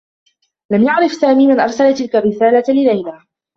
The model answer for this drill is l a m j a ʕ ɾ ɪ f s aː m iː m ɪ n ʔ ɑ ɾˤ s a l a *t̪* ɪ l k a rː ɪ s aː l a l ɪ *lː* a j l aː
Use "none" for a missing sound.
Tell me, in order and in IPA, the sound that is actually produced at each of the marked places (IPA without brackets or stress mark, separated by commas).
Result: t̪, l